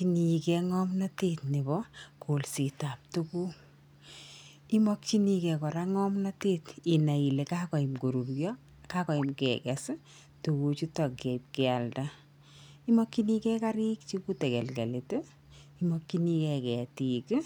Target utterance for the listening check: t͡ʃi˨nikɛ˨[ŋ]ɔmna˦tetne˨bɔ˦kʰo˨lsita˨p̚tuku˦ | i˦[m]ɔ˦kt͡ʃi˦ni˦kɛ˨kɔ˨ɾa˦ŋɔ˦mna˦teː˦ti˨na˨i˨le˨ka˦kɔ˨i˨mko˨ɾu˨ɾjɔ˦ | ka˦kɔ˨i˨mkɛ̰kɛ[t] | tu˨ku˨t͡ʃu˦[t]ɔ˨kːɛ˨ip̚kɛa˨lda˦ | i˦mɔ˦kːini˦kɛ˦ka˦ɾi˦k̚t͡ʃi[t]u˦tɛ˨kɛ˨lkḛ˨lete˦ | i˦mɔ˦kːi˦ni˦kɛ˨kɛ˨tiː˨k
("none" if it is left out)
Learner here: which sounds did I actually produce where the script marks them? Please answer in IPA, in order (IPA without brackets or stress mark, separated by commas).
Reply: ŋ, m, s, t, k